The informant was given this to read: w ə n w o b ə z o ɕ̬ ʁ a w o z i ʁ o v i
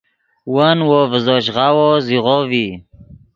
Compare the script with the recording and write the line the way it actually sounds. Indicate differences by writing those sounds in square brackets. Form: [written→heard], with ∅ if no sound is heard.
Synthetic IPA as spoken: w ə n w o [b→v] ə z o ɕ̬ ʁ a w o z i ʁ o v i